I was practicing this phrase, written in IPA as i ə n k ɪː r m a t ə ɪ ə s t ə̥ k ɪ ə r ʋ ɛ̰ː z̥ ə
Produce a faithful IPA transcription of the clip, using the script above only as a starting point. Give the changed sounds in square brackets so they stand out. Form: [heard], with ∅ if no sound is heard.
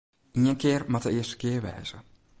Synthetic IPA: i ə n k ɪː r m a t ə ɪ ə s t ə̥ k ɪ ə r ʋ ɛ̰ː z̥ ə